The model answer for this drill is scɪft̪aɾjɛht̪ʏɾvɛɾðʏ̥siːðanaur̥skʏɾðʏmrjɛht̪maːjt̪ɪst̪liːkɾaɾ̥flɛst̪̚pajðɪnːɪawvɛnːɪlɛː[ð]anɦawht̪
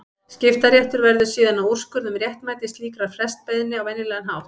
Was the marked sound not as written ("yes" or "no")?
yes